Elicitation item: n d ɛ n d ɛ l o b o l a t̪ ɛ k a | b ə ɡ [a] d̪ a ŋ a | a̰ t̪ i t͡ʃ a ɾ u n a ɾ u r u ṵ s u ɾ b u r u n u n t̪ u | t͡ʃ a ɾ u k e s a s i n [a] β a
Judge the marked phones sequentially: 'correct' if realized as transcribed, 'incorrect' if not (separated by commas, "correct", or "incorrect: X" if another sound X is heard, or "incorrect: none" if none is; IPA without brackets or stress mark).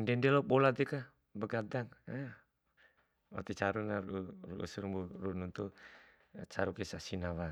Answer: correct, correct